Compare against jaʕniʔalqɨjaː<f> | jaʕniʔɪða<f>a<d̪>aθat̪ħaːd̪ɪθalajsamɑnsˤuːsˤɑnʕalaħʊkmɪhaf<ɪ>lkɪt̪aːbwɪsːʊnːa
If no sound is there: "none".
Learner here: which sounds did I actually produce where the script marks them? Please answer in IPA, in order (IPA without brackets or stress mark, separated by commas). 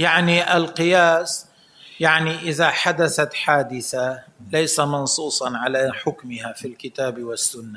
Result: s, ħ, d̪, i